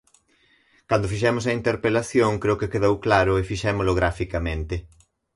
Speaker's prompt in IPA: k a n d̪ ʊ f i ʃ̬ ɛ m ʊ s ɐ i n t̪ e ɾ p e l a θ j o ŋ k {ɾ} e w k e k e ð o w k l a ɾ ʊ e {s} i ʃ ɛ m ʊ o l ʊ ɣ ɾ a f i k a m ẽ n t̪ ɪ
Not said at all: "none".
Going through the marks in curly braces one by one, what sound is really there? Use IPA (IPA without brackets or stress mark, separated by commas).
ɾ, f